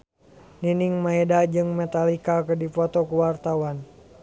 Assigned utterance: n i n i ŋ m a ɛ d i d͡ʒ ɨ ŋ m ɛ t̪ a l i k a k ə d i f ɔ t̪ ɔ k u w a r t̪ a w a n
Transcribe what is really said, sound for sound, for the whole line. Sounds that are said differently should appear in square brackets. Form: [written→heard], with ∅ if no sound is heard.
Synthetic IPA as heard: n i n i ŋ m a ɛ d [i→a] d͡ʒ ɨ ŋ m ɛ t̪ a l i k a k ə d i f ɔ t̪ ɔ k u w a r t̪ a w a n